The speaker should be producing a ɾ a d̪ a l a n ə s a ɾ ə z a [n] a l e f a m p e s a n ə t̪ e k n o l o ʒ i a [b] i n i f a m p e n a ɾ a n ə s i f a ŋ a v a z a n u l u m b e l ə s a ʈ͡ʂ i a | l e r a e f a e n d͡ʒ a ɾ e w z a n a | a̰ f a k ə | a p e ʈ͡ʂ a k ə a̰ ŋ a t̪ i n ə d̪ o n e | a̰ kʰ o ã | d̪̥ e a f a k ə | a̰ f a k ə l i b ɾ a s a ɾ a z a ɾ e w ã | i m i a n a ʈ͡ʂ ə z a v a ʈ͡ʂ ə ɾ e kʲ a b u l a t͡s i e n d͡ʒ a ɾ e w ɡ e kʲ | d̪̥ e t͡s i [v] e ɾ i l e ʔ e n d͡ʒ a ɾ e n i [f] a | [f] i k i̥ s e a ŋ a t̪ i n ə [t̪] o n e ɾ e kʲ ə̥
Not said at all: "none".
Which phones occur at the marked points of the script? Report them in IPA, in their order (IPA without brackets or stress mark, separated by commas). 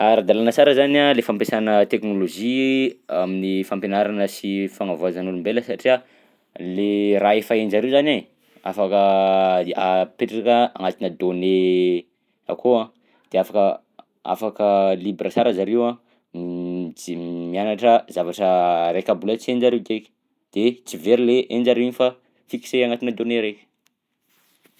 n, m, v, f, f, d̪